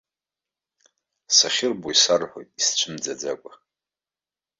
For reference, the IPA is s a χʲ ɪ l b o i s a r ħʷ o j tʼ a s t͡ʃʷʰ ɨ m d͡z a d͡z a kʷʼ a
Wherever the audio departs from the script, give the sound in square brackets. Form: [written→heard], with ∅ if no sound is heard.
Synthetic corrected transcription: s a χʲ ɪ [l→r] b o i s a r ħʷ o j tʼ [a→i] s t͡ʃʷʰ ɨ m d͡z a d͡z a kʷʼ a

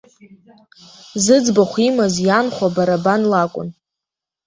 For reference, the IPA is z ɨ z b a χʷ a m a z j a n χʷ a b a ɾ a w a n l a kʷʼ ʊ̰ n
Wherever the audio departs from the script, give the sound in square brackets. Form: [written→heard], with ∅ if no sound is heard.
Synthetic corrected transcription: z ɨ [z→d͡z] b a χʷ [a→i] m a z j a n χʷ a b a ɾ a [w→b] a n l a kʷʼ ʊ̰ n

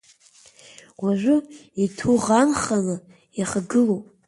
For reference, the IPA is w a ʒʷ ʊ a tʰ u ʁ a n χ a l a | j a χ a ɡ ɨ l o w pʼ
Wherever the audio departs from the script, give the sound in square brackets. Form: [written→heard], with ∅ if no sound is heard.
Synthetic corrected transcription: w a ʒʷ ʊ [a→i] tʰ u ʁ a n χ a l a | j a χ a ɡ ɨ l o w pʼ

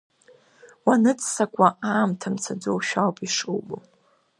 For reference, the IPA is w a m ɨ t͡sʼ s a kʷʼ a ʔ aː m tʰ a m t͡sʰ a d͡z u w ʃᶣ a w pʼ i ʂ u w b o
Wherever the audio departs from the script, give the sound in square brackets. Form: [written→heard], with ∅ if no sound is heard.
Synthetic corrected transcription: w a [m→n] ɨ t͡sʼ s a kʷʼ a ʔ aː m tʰ a m t͡sʰ a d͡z [u→o] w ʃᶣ a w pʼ i ʂ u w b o

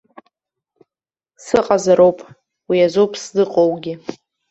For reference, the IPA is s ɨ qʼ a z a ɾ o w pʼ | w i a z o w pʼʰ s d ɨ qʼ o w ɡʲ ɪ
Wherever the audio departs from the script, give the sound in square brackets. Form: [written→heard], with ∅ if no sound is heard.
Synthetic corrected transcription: s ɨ qʼ a z a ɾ o w pʼ | w i a z o w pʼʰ s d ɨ qʼ o w ɡʲ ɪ

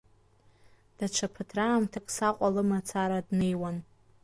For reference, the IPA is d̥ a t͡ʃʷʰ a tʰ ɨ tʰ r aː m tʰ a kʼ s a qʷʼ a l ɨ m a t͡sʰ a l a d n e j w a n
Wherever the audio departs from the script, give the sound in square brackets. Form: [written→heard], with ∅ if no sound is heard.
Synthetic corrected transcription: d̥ a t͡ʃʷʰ a [tʰ→pʰ] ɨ tʰ r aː m tʰ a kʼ s a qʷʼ a l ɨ m a t͡sʰ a [l→ɾ] a d n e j w a n

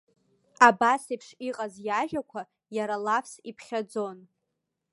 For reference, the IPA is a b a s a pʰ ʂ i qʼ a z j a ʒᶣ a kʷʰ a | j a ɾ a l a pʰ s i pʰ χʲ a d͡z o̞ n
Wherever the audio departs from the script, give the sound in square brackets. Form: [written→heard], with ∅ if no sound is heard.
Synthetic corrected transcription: a b a s [a→i] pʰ ʂ i qʼ a z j a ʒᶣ a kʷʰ a | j a ɾ a l a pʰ s i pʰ χʲ a d͡z o̞ n

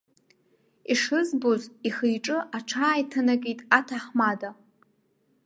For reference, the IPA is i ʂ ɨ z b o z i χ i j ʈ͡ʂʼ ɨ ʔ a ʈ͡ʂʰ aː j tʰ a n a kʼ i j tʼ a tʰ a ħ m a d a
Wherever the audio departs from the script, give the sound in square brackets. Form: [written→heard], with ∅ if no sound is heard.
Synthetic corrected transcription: i ʂ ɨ z b o z i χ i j ʈ͡ʂʼ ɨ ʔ a ʈ͡ʂʰ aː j tʰ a n a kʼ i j tʼ a tʰ a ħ m a d a

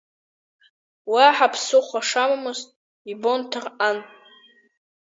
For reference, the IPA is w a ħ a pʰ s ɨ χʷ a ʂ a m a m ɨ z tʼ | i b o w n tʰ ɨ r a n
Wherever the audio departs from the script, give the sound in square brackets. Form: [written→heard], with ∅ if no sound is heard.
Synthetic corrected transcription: w a ħ a pʰ s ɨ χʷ a ʂ a m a m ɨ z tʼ | i b o [w→∅] n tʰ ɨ r a n

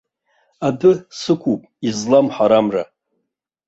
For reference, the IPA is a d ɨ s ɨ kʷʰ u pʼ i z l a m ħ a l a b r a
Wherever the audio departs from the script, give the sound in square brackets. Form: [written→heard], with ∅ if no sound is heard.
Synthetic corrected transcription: a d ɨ s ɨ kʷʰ u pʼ i z l a m ħ a [l→ɾ] a [b→m] r a

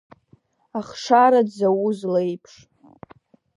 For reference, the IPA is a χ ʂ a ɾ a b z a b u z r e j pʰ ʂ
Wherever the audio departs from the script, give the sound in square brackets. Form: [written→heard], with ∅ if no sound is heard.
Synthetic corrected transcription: a χ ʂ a ɾ a [b→d] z a [b→w] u z [r→l] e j pʰ ʂ

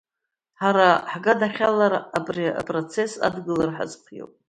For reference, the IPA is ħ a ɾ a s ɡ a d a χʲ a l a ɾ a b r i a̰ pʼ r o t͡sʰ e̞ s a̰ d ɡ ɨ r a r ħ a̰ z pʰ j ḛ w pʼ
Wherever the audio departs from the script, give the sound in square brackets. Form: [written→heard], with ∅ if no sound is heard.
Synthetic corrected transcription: ħ a ɾ a [s→ħ] ɡ a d a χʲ a l a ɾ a b r i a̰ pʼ r o t͡sʰ e̞ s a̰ d ɡ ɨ [r→l] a r ħ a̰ z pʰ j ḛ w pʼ

